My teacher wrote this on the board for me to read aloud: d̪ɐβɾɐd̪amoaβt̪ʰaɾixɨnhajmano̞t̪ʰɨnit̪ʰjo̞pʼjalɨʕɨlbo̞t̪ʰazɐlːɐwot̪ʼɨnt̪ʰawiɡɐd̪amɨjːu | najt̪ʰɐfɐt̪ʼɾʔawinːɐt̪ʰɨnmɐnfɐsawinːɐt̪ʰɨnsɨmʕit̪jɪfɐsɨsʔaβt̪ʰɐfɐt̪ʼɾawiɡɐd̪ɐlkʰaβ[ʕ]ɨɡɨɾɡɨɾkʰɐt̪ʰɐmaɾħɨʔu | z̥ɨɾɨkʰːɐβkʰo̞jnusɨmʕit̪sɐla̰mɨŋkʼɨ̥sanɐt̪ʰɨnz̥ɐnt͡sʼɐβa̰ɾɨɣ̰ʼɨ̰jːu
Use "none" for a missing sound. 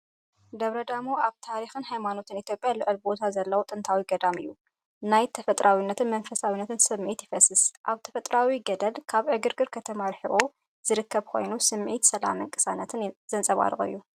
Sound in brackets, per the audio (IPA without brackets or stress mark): ʕ